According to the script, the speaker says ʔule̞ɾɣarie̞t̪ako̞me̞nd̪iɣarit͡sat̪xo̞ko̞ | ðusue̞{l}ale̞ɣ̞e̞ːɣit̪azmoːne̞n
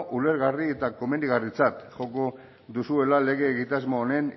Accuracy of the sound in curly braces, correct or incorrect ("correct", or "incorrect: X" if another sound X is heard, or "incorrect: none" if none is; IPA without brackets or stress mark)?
correct